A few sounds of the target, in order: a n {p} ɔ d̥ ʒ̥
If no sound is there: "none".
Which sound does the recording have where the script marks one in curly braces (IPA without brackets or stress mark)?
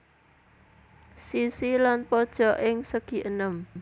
p